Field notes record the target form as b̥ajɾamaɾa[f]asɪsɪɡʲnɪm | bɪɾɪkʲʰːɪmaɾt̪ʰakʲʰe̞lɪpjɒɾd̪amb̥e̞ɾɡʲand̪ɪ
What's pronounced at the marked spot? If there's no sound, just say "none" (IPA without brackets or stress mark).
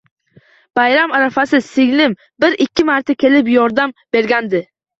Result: f